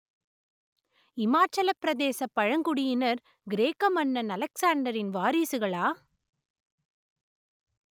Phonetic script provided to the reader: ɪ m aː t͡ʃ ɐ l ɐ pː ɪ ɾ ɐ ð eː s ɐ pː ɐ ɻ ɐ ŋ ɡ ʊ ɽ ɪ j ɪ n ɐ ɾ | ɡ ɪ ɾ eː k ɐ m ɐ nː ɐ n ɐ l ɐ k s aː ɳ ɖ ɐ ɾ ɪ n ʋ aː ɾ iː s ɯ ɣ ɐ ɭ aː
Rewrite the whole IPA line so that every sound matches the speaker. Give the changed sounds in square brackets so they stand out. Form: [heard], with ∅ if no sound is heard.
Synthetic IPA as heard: ɪ m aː t͡ʃ ɐ l ɐ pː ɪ ɾ ɐ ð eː s ɐ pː ɐ ɻ ɐ ŋ ɡ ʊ ɽ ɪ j ɪ n ɐ ɾ | ɡ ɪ ɾ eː k ɐ m ɐ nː ɐ n ɐ l ɐ k s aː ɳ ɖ ɐ ɾ ɪ n ʋ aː ɾ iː s ɯ ɣ ɐ ɭ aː